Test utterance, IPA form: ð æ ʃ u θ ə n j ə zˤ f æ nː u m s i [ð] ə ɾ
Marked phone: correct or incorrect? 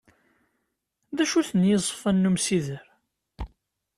correct